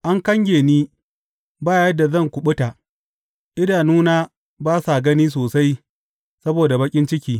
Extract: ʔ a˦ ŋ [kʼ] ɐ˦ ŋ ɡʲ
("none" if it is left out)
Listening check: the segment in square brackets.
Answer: k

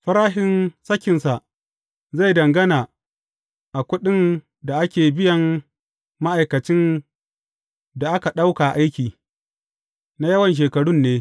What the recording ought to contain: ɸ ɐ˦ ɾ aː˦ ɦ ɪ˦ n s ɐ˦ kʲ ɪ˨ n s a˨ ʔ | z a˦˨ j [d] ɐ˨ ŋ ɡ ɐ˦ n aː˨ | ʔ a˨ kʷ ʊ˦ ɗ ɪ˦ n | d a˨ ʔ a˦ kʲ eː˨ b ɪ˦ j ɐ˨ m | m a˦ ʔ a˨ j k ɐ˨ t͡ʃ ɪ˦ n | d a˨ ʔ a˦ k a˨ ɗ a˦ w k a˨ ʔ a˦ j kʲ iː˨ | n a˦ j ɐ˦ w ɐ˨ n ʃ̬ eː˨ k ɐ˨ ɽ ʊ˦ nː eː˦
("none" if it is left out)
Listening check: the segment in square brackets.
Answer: d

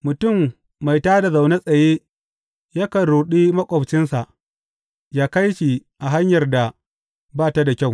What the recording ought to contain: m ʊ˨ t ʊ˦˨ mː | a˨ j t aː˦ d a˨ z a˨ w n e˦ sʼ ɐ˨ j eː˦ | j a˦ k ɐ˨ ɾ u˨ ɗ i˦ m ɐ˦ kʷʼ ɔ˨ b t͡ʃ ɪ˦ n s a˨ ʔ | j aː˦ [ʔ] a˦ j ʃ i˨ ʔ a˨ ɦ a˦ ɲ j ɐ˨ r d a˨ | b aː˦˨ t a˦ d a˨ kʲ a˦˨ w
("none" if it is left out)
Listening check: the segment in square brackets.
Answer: k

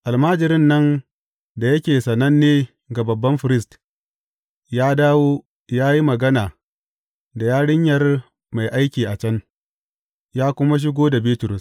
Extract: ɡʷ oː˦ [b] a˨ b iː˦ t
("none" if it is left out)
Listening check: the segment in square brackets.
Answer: d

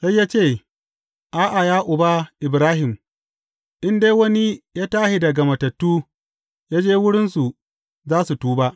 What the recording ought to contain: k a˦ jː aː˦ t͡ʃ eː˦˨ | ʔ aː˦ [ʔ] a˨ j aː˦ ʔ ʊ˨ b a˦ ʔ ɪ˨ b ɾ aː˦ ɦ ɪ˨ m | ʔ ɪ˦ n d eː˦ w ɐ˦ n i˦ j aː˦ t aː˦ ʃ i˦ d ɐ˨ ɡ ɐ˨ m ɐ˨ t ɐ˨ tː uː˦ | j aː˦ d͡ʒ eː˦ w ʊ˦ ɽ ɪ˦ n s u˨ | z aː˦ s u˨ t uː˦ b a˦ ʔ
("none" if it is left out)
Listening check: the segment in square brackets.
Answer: ʔ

